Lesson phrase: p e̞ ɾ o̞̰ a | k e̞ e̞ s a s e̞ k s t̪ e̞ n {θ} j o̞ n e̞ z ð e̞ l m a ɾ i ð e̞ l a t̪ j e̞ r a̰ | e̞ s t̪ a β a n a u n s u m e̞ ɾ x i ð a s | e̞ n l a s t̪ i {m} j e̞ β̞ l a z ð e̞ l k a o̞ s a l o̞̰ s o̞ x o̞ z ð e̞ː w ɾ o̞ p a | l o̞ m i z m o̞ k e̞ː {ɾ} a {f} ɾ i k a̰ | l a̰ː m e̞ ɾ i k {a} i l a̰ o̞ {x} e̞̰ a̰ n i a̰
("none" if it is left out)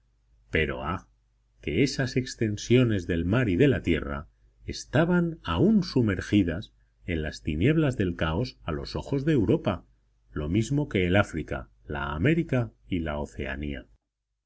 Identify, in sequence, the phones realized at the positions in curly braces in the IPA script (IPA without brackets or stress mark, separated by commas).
s, n, l, f, a, θ